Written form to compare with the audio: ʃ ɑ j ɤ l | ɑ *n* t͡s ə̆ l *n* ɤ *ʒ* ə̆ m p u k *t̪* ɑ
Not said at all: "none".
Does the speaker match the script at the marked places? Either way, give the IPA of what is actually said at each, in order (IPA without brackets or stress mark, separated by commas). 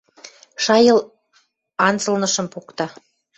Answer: n, n, ʃ, t̪